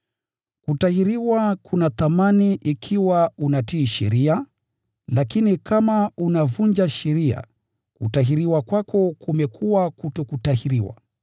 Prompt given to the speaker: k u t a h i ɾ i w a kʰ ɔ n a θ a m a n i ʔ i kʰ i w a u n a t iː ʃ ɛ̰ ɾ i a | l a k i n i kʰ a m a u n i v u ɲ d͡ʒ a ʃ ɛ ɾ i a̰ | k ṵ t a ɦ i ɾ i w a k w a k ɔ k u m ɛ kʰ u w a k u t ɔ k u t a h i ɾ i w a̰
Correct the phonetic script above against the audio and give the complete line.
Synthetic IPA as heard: k u t a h i ɾ i w a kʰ u n a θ a m a n i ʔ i kʰ i w a u n a t iː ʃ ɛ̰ ɾ i a | l a k i n i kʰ a m a u n a v u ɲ d͡ʒ a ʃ ɛ ɾ i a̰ | k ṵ t a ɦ i ɾ i w a k w a k ɔ k u m ɛ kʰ u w a k u t ɔ k u t a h i ɾ i w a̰

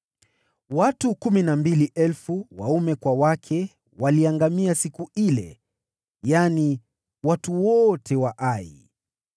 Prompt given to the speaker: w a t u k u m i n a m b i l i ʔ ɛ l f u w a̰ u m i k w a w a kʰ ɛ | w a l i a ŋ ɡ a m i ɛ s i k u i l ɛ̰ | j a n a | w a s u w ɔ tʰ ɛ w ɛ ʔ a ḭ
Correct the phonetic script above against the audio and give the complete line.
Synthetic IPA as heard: w a t u k u m i n a m b i l i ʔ ɛ l f u w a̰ u m ɛ k w a w a kʰ ɛ | w a l i a ŋ ɡ a m i a s i k u i l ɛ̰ | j a n i | w a t u w ɔ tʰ ɛ w a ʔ a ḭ

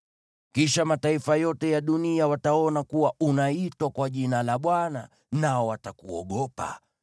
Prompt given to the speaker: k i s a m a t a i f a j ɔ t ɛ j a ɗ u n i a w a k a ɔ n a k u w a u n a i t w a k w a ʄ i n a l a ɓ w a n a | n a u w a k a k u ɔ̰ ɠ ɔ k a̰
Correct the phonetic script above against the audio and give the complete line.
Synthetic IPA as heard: k i ʃ a m a t a i f a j ɔ t ɛ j a ɗ u n i a w a t a ɔ n a k u w a u n a i t w a k w a ʄ i n a l a ɓ w a n a | n a ɔ w a t a k u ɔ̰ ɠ ɔ p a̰

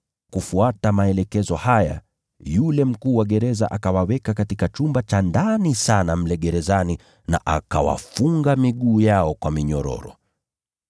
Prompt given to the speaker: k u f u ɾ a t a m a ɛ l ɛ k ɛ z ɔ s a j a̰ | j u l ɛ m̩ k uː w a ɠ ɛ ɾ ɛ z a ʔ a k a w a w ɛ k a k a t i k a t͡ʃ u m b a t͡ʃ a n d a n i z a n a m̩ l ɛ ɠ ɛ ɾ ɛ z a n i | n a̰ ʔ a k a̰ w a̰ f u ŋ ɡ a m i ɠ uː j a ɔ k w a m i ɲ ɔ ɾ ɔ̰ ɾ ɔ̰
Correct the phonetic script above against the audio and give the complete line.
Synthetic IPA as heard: k u f u a t a m a ɛ l ɛ k ɛ z ɔ h a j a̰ | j u l ɛ m̩ k uː w a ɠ ɛ ɾ ɛ z a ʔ a k a w a w ɛ k a k a t i k a t͡ʃ u m b a t͡ʃ a n d a n i s a n a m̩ l ɛ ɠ ɛ ɾ ɛ z a n i | n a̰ ʔ a k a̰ w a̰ f u ŋ ɡ a m i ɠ uː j a ɔ k w a m i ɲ ɔ ɾ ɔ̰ ɾ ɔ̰

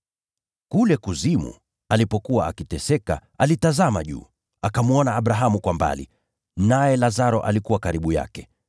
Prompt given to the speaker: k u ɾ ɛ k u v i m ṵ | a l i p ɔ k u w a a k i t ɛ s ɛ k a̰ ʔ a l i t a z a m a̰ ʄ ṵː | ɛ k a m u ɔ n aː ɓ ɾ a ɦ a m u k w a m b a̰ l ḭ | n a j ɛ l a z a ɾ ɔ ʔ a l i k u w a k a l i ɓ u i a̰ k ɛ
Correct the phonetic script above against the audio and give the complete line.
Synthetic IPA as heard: k u l ɛ k u z i m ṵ | a l i p ɔ k u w a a k i t ɛ s ɛ k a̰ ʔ a l i t a z a m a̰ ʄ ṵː | a k a m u ɔ n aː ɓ ɾ a ɦ a m u k w a m b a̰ l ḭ | n a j ɛ l a z a ɾ ɔ ʔ a l i k u w a k a ɾ i ɓ u j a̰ k ɛ

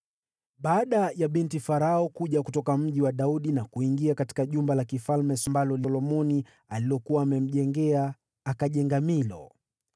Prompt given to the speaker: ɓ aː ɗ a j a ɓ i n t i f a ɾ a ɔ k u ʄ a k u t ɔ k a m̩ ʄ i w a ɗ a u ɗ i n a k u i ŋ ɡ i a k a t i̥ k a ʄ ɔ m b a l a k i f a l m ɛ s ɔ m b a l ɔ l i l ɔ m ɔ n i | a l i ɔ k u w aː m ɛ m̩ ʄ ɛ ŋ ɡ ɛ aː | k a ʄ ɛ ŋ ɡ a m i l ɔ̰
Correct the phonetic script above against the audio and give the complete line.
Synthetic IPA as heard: ɓ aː ɗ a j a ɓ i n t i f a ɾ a ɔ k u ʄ a k u t ɔ k a m̩ ʄ i w a ɗ a u ɗ i n a k u i ŋ ɡ i a k a t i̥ k a ʄ u m b a l a k i f a l m ɛ s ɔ m b a l ɔ l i l ɔ m ɔ n i | a l i ɔ k u w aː m ɛ m̩ ʄ ɛ ŋ ɡ ɛ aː | k a ʄ ɛ ŋ ɡ a m i l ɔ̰

